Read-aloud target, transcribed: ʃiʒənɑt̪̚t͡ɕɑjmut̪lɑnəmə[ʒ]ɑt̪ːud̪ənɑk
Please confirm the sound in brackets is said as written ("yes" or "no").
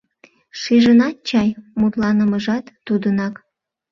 yes